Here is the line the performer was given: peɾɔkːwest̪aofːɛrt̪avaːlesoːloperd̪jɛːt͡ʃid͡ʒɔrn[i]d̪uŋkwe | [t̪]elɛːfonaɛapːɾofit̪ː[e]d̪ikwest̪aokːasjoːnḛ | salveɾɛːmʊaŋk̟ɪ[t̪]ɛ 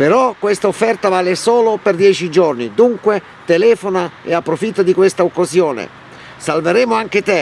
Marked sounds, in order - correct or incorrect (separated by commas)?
correct, correct, incorrect, correct